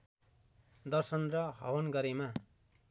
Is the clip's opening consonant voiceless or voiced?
voiced